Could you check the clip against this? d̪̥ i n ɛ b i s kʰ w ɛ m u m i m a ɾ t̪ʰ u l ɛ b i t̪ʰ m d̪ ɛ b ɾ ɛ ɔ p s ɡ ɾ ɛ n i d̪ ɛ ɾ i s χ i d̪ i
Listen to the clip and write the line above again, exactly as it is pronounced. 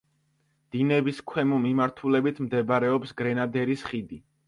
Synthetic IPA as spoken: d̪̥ i n ɛ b i s kʰ w ɛ m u m i m a ɾ t̪ʰ u l ɛ b i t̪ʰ m d̪ ɛ b ɾ ɛ ɔ p s ɡ ɾ ɛ n a d̪ ɛ ɾ i s χ i d̪ i